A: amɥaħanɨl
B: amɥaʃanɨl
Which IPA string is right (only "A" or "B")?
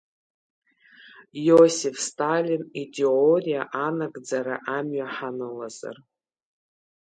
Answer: A